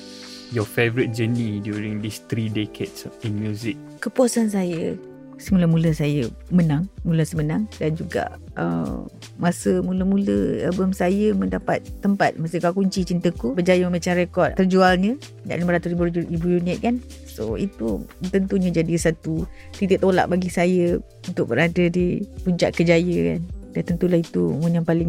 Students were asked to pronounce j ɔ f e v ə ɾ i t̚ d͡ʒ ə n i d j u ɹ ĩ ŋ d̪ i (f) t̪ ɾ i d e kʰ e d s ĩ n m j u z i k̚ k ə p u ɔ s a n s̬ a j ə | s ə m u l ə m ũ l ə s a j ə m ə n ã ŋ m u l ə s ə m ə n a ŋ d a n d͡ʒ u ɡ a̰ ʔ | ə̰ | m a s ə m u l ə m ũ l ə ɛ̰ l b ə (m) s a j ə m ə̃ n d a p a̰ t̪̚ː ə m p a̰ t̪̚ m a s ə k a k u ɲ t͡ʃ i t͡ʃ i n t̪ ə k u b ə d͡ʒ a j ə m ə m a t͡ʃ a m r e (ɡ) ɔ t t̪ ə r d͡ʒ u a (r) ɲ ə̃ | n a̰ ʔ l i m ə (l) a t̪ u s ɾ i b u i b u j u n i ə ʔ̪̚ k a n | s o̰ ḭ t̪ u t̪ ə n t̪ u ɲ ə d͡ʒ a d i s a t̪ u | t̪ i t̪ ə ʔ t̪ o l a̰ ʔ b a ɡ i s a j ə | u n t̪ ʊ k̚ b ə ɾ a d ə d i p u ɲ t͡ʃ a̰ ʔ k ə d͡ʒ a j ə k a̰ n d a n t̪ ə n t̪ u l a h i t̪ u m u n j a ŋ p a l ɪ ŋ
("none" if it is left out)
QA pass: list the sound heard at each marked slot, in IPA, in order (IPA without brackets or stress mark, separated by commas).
s, m, k, l, ɾ